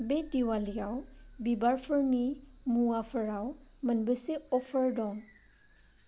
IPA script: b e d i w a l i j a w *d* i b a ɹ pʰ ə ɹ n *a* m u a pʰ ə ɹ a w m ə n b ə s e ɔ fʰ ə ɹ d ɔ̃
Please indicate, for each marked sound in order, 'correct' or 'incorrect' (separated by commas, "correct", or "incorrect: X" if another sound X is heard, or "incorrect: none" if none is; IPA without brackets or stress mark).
incorrect: b, incorrect: i